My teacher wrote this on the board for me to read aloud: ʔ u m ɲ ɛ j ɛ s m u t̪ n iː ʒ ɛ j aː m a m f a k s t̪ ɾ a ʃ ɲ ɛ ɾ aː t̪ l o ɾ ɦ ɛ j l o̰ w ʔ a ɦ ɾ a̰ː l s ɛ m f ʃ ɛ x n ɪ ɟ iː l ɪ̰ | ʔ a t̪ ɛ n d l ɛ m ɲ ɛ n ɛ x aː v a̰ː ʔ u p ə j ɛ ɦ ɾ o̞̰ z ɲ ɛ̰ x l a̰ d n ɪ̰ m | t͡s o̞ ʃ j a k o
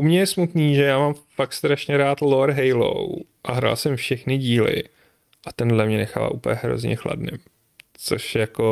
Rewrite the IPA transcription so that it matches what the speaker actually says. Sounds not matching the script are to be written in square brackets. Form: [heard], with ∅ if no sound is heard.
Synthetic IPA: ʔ u m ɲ ɛ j ɛ s m u t̪ n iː ʒ ɛ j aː m a m f a k s t̪ ɾ a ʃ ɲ ɛ ɾ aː t̪ l o ɾ ɦ ɛ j l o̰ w ʔ a ɦ ɾ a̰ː l s ɛ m f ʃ ɛ x n ɪ ɟ iː l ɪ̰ | ʔ a t̪ ɛ n d l ɛ m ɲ ɛ n ɛ x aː v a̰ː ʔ u p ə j ɛ ɦ ɾ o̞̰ z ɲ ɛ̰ x l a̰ d n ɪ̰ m | t͡s o̞ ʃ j a k o